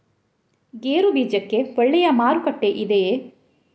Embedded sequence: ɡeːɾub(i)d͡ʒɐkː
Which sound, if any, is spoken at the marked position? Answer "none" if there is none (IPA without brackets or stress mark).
iː